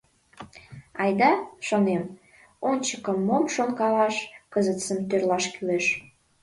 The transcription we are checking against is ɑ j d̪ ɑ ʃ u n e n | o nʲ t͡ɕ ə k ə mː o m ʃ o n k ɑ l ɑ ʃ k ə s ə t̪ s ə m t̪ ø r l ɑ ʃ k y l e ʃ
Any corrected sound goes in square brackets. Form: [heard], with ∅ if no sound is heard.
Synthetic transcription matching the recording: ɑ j d̪ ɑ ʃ [o] n e [m] | o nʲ t͡ɕ ə k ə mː o m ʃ o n k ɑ l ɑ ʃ k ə [z] ə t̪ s ə m t̪ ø r l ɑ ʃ k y l e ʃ